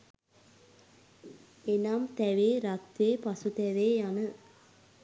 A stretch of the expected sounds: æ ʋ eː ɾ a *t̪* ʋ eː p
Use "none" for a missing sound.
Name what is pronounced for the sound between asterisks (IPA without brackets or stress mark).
t̪